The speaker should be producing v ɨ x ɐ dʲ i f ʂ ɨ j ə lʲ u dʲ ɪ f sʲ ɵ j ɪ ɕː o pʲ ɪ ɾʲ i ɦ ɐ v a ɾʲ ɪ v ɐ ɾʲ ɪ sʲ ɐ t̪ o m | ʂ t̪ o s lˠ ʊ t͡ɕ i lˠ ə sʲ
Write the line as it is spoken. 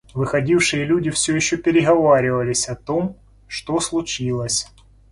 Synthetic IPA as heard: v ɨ x ɐ dʲ i f ʂ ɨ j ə lʲ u dʲ ɪ f sʲ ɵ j ɪ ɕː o pʲ ɪ ɾʲ ɪ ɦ ɐ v a ɾʲ ɪ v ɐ lʲ ɪ sʲ ɐ t̪ o m | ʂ t̪ o s lˠ ʊ t͡ɕ i lˠ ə sʲ